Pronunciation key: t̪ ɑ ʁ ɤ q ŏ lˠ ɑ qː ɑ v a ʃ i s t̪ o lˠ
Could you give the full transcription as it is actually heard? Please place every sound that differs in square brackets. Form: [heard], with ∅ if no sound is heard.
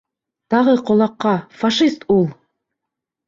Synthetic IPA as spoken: t̪ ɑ ʁ ɤ q ŏ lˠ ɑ qː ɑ [f] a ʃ i s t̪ [u] lˠ